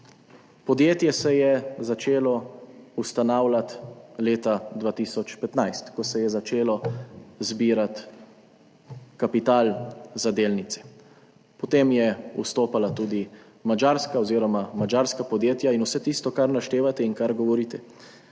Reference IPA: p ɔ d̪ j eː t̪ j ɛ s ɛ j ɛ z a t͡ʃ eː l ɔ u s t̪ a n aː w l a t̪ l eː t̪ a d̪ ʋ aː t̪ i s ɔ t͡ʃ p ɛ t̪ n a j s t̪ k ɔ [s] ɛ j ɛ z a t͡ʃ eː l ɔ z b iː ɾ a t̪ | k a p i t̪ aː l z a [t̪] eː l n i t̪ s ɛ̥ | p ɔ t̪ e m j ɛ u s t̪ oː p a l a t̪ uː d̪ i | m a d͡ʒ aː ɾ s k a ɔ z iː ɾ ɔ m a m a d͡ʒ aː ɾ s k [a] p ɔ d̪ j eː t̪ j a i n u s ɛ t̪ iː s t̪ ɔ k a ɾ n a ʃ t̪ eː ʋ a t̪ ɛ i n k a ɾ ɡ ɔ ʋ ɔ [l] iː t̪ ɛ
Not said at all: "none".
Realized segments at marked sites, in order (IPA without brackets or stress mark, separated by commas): s, d̪, a, ɾ